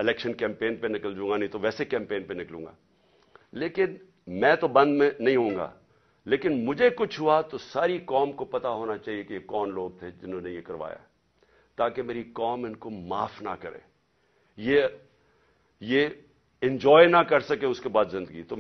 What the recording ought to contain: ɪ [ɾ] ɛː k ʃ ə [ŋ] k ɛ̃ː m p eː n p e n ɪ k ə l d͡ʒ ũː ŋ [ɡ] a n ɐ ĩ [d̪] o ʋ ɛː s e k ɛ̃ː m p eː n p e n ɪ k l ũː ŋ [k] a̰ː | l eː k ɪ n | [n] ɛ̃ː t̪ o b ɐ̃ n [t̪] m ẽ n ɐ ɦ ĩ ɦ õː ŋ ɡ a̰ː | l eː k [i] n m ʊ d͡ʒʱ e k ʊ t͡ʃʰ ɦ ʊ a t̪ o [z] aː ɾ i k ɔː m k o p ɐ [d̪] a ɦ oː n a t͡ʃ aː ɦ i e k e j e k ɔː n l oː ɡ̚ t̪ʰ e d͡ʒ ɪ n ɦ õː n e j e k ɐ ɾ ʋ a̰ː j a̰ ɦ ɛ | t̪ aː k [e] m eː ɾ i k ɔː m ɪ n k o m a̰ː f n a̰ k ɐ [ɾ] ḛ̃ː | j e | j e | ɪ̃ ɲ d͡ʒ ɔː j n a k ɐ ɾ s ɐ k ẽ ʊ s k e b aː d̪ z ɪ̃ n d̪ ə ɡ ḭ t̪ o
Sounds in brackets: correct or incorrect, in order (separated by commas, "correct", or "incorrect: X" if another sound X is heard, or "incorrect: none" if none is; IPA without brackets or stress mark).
incorrect: l, incorrect: n, correct, incorrect: t̪, incorrect: ɡ, incorrect: m, incorrect: d̪, incorrect: ɪ, incorrect: s, incorrect: t̪, correct, correct